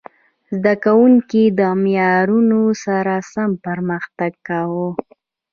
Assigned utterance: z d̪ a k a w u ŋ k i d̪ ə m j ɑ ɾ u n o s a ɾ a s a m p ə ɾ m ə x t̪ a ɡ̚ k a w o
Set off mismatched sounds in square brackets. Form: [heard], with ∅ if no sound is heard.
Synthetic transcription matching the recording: z d̪ a k a w u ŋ k i d̪ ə m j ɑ ɾ u n o s a ɾ a s a m p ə ɾ m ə x t̪ a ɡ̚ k a w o